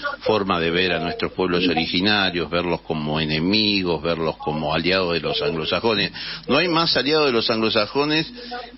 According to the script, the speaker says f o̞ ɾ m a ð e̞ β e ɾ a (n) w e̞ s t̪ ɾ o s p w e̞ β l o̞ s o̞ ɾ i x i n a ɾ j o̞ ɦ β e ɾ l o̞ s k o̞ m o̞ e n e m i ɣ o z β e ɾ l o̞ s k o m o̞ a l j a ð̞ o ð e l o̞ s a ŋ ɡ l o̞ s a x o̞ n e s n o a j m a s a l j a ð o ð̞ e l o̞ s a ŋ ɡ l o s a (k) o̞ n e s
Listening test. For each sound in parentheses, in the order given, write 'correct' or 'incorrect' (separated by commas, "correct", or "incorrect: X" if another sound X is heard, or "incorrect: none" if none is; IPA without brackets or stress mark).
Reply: correct, incorrect: x